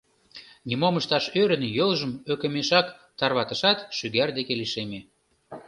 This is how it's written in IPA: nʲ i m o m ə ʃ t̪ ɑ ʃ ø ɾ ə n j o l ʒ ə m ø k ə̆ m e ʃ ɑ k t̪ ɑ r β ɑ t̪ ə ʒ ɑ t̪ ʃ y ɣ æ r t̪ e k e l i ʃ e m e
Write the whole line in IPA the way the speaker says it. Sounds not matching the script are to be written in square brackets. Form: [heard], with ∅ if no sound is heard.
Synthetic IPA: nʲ i m o m ə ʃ t̪ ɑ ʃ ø ɾ ə n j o l ʒ ə m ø k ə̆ m e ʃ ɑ k t̪ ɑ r β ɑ t̪ ə [ʃ] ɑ t̪ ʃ y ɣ æ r [d̪] e k e l i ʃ e m e